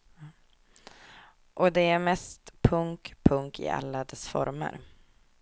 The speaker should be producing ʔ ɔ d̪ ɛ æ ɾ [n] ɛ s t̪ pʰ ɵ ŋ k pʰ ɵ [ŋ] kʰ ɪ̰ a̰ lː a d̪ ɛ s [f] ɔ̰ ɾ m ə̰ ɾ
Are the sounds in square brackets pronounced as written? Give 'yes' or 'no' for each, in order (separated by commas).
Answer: no, yes, yes